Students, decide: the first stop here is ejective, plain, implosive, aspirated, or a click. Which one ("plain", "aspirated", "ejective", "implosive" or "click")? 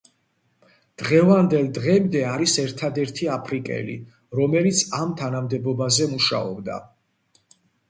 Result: plain